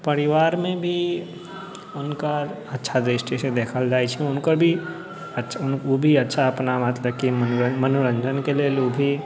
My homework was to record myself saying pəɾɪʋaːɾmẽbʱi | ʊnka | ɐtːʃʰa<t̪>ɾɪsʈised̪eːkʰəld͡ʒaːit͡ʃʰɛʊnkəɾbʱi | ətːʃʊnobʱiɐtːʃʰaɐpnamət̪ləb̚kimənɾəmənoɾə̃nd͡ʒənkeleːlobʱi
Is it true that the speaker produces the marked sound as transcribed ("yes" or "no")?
no